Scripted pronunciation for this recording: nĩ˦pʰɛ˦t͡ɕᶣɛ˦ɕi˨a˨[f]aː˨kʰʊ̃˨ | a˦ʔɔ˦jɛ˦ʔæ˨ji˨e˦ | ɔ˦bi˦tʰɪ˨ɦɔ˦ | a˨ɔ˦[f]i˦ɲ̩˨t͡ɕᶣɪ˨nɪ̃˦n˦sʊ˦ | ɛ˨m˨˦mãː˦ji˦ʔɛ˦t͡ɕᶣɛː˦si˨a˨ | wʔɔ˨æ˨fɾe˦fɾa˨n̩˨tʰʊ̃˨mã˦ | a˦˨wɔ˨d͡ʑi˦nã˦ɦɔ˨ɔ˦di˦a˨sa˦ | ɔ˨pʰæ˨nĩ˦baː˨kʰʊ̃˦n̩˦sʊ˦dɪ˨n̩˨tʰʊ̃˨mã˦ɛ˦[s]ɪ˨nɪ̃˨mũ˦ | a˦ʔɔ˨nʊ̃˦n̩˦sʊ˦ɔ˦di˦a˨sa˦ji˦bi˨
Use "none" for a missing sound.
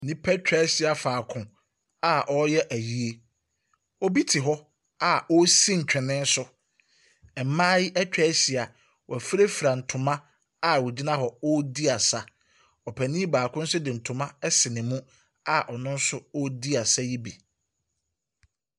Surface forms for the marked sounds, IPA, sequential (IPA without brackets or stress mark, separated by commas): f, s, s